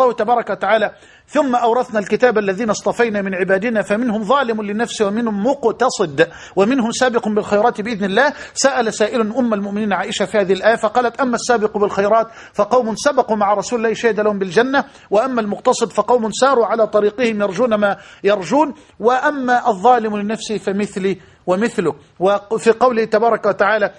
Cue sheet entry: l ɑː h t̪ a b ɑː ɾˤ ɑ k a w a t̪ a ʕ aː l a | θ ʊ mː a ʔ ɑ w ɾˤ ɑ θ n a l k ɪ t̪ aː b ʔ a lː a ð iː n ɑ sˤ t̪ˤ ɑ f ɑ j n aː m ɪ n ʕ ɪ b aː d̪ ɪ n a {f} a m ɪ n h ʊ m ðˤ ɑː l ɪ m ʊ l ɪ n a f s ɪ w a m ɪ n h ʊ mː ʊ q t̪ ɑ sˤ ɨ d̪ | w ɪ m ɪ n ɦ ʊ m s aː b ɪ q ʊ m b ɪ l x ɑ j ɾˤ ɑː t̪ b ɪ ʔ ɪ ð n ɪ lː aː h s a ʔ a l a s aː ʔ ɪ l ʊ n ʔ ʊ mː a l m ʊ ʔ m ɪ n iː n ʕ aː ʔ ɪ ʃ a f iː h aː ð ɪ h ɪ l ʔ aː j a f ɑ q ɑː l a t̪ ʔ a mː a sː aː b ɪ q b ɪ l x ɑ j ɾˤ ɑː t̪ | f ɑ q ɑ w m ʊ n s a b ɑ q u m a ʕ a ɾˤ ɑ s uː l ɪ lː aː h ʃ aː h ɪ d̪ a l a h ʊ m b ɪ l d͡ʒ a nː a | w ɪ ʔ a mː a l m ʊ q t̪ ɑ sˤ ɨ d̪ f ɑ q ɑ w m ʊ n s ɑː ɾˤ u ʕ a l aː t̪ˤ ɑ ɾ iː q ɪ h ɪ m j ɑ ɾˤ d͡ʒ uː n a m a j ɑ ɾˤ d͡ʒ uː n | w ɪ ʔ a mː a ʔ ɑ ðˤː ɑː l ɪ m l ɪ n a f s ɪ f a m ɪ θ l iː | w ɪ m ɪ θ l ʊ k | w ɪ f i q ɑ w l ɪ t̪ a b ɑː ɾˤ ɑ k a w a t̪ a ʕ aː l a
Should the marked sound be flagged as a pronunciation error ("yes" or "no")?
no